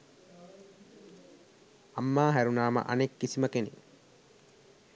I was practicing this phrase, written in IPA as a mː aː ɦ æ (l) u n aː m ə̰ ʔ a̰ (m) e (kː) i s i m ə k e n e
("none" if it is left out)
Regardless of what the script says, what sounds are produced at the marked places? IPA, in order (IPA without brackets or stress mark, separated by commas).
ɾ, n, kː